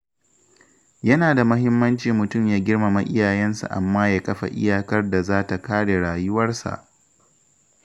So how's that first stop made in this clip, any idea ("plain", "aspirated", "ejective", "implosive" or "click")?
plain